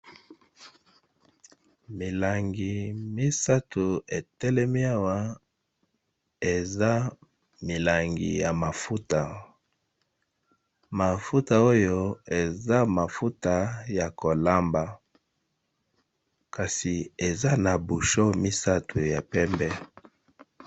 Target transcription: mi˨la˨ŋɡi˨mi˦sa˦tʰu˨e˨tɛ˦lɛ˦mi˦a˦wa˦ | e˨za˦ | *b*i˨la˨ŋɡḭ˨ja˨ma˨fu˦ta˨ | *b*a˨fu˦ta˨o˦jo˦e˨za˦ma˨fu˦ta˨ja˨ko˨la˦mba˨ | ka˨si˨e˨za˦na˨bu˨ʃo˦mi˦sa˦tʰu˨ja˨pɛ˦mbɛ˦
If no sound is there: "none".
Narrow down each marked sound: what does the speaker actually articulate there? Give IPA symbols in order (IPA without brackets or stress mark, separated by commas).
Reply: m, m